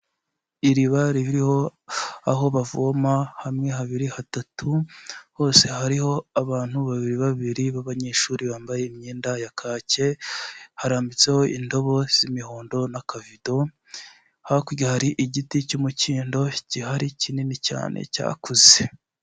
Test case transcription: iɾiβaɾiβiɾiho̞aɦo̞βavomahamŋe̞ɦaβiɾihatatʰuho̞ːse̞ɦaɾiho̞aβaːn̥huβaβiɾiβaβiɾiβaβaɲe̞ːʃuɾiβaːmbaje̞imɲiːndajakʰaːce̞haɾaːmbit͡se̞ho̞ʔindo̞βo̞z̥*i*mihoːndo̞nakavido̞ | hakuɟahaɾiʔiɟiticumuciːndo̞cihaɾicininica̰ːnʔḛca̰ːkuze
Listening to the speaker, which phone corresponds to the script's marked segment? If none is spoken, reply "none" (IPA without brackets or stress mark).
i